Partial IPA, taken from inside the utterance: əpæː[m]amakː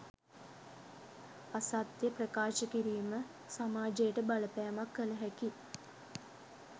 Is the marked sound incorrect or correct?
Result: incorrect